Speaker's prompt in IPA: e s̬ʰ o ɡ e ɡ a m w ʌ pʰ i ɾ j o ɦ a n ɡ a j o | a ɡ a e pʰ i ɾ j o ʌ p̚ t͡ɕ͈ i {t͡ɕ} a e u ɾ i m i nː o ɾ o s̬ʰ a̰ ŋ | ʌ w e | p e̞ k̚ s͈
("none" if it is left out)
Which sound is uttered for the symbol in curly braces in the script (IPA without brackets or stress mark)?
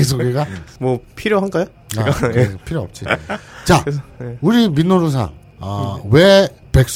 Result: t͡ɕ